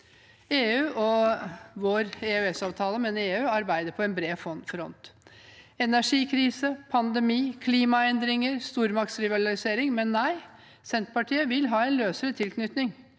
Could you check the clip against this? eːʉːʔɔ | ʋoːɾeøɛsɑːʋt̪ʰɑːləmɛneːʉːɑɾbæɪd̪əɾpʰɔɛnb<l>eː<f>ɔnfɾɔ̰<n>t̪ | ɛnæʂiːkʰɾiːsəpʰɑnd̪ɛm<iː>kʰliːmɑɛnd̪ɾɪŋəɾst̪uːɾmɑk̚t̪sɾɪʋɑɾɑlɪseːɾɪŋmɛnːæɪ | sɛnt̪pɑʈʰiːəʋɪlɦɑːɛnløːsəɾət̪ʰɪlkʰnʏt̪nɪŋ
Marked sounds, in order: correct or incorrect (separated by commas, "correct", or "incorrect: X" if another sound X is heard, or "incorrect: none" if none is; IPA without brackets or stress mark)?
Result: incorrect: ɾ, correct, correct, correct